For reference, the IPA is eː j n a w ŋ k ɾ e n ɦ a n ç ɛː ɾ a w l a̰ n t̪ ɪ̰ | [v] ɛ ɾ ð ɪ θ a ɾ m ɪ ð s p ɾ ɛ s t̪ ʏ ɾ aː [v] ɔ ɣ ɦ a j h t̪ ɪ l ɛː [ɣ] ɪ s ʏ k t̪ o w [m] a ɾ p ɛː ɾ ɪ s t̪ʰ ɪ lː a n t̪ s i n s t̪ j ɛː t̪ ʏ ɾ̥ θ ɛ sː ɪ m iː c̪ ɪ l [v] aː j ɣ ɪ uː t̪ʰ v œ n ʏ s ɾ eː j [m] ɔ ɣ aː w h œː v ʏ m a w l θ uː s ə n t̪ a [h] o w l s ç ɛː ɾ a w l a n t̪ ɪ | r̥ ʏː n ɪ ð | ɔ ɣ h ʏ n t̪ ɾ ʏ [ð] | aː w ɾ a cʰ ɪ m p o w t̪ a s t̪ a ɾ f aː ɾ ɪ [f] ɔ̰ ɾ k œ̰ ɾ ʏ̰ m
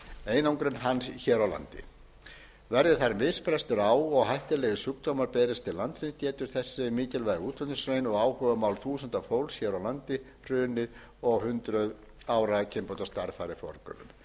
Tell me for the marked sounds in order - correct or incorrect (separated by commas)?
correct, incorrect, correct, correct, correct, incorrect, incorrect, correct, correct